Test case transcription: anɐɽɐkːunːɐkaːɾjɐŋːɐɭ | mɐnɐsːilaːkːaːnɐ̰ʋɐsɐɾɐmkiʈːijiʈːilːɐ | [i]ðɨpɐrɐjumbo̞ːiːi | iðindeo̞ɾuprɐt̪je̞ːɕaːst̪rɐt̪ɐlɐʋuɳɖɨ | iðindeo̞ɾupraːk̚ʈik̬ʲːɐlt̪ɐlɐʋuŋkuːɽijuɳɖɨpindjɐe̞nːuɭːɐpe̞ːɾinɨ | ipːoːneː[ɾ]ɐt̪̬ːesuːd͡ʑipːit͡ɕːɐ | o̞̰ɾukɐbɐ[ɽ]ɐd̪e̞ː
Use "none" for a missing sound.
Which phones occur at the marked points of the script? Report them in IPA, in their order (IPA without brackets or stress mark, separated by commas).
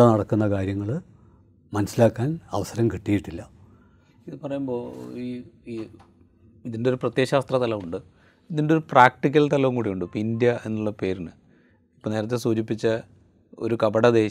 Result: i, ɾ, ɽ